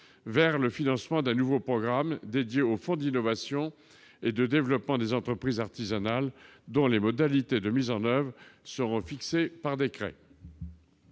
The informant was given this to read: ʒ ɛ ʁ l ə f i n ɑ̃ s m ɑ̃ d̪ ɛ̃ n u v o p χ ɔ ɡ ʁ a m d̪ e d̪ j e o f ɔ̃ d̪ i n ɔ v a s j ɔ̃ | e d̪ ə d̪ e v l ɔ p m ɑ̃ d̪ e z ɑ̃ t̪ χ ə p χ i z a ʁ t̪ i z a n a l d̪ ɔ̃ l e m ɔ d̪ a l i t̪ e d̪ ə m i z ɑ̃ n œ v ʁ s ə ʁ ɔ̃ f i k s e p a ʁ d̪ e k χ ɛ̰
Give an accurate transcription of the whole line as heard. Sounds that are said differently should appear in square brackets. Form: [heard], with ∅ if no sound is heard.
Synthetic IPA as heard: [v] ɛ ʁ l ə f i n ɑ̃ s m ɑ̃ d̪ ɛ̃ n u v o p χ ɔ ɡ ʁ a m d̪ e d̪ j e o f ɔ̃ d̪ i n ɔ v a s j ɔ̃ | e d̪ ə d̪ e v l ɔ p m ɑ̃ d̪ e z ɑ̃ t̪ χ ə p χ i z a ʁ t̪ i z a n a l d̪ ɔ̃ l e m ɔ d̪ a l i t̪ e d̪ ə m i z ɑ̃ n œ v ʁ s ə ʁ ɔ̃ f i k s e p a ʁ d̪ e k χ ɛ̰